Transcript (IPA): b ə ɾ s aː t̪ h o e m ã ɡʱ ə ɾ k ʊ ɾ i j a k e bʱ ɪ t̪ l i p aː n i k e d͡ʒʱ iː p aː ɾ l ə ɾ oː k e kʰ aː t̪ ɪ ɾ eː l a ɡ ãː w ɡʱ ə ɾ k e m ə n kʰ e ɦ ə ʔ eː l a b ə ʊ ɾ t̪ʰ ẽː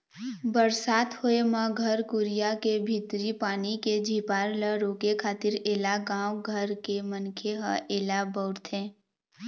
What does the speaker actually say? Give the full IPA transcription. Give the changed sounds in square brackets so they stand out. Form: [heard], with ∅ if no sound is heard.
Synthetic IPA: b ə ɾ s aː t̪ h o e m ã ɡʱ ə ɾ k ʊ ɾ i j a k e bʱ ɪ t̪ [ɾ] i p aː n i k e d͡ʒʱ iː p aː ɾ l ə ɾ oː k e kʰ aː t̪ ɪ ɾ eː l a ɡ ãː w ɡʱ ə ɾ k e m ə n kʰ e ɦ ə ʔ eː l a b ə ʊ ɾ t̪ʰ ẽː